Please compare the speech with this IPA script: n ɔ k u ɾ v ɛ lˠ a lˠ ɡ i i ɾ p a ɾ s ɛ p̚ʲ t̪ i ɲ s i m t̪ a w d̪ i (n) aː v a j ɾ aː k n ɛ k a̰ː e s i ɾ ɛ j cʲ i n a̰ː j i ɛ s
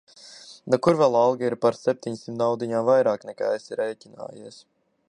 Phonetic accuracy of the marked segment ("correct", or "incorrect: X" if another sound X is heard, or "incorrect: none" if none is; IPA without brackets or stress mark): incorrect: ɲ